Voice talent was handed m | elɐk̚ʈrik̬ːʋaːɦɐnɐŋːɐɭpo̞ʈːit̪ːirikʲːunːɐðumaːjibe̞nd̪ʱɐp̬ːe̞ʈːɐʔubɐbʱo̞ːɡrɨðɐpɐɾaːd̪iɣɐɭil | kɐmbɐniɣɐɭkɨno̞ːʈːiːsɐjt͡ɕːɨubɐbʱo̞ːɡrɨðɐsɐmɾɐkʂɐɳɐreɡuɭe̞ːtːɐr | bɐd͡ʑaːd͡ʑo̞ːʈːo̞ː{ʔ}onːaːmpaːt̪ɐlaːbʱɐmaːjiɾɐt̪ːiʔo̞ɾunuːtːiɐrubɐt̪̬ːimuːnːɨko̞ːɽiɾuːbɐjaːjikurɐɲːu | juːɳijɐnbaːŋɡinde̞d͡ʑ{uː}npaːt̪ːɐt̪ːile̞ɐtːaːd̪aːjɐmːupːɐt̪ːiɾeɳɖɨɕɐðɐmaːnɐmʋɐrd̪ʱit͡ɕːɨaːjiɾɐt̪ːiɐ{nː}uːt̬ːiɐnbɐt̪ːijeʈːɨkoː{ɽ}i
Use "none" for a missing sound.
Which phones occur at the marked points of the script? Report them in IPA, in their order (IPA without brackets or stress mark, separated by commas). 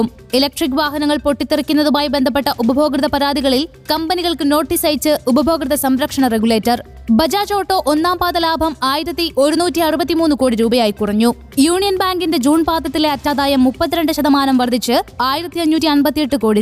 ʔ, uː, ɲː, ɽ